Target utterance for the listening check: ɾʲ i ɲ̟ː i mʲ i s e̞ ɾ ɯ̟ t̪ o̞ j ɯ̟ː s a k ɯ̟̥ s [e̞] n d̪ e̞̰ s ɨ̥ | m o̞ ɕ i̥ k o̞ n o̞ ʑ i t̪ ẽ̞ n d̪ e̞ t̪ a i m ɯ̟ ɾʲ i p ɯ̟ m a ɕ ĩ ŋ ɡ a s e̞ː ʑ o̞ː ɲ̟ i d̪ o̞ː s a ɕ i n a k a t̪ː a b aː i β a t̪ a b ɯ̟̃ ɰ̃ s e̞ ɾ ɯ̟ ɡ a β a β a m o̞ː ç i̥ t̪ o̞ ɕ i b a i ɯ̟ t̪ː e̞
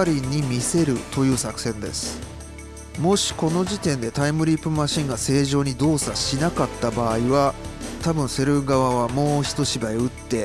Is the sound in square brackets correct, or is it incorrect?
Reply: incorrect